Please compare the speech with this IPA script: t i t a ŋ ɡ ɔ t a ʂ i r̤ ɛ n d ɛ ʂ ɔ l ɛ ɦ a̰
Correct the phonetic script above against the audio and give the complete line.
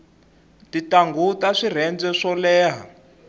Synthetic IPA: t i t a ŋ ɡ u t a ʂ i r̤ ɛ n d͡z ɛ ʂ ɔ l ɛː ɦ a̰